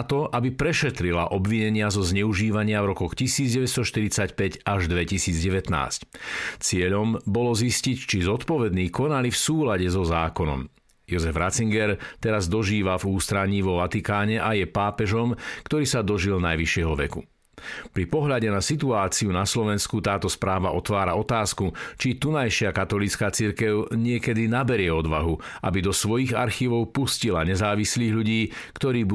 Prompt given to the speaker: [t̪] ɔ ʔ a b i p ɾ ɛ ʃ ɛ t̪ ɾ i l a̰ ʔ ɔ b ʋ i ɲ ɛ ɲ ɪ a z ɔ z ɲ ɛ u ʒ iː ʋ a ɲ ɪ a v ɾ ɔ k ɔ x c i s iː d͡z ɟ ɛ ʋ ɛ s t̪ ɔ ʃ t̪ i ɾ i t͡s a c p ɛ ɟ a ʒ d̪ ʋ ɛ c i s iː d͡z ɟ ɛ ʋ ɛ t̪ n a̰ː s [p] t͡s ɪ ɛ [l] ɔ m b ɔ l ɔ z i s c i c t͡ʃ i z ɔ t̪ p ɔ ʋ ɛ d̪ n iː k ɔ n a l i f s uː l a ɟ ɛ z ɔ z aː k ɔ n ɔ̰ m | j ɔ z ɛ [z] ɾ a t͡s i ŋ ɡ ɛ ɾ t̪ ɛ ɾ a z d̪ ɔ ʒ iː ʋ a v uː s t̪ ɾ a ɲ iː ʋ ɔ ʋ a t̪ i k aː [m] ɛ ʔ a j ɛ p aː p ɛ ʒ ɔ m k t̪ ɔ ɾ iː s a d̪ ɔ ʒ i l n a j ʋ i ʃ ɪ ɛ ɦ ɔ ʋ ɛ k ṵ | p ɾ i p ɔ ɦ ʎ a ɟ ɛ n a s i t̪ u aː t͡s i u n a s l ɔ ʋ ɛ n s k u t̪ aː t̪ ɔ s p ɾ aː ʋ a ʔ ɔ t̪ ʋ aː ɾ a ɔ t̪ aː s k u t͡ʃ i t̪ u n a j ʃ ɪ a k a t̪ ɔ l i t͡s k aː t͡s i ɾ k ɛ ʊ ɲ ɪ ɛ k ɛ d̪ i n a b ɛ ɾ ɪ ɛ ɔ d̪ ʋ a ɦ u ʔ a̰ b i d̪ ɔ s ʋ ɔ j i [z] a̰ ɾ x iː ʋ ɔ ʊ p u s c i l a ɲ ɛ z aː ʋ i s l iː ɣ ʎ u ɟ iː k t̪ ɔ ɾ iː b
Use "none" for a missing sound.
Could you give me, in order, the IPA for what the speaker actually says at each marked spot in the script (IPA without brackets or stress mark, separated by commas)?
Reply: t̪, c, ʎ, v, ɲ, ɣ